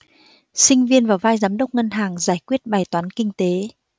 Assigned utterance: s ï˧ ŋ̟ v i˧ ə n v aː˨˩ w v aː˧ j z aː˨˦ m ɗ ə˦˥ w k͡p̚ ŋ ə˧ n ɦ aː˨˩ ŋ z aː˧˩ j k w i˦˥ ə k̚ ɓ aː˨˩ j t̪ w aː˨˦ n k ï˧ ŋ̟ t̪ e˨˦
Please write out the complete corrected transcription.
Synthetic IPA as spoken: s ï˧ ŋ̟ v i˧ ə n v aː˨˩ w v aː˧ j z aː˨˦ m ɗ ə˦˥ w k͡p̚ ŋ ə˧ n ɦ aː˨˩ ŋ z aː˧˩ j k w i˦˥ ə t̚ ɓ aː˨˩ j t̪ w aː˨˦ n k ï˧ ŋ̟ t̪ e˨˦